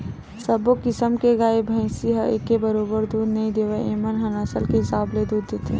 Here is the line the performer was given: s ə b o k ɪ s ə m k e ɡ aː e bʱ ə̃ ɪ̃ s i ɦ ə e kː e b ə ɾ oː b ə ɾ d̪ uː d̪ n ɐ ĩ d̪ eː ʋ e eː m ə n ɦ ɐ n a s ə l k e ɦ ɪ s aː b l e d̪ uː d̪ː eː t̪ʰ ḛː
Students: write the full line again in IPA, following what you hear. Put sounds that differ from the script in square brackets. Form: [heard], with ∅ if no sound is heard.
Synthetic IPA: s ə b o k ɪ s ə m k e ɡ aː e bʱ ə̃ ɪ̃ s i ɦ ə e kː e b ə ɾ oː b ə ɾ d̪ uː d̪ n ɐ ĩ d̪ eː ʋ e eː m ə n ɦ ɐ n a s ə l k e ɦ ɪ s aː b l e d̪ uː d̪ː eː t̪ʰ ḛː